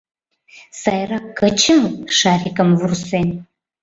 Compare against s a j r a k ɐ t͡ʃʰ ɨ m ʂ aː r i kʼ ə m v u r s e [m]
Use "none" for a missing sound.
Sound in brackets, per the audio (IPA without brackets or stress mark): n